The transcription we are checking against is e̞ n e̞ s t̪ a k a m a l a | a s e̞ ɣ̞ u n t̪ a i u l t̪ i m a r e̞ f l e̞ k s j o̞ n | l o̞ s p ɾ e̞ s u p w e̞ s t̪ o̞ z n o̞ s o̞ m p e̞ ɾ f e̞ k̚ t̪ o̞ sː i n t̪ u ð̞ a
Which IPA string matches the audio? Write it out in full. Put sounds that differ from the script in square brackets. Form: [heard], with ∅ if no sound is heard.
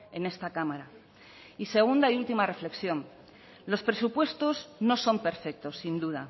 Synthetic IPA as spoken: e̞ n e̞ s t̪ a k a m a [ɾ] a | [i] s e̞ ɣ̞ u n [d̪] a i u l t̪ i m a r e̞ f l e̞ k s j o̞ n | l o̞ s p ɾ e̞ s u p w e̞ s t̪ o̞ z n o̞ s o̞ m p e̞ ɾ f e̞ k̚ t̪ o̞ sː i n [d̪] u ð̞ a